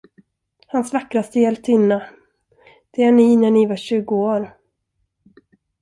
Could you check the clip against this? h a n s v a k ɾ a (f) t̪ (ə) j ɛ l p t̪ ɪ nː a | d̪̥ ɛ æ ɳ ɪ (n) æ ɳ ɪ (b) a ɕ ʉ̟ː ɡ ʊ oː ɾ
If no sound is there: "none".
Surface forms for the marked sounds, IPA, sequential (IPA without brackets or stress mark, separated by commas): s, ə, n, v